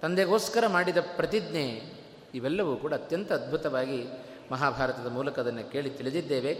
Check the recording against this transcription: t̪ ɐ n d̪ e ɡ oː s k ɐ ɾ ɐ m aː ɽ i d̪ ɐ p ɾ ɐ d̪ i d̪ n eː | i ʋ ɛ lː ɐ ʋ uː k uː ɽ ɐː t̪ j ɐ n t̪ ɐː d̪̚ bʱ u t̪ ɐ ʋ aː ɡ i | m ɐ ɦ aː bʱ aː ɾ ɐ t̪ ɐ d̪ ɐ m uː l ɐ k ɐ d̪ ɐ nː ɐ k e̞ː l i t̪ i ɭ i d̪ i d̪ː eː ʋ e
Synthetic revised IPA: t̪ ɐ n d̪ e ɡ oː s k ɐ ɾ ɐ m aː ɽ i d̪ ɐ p ɾ ɐ t̪ i d̪ n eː | i ʋ ɛ lː ɐ ʋ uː k uː ɽ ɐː t̪ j ɐ n t̪ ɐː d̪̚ bʱ u t̪ ɐ ʋ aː ɡ i | m ɐ ɦ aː bʱ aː ɾ ɐ t̪ ɐ d̪ ɐ m uː l ɐ k ɐ d̪ ɐ nː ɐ k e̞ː ɭ i t̪ i ɭ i d̪ i d̪ː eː ʋ e